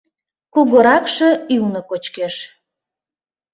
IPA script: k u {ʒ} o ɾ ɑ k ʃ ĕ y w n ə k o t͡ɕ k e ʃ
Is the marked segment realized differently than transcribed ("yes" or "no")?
yes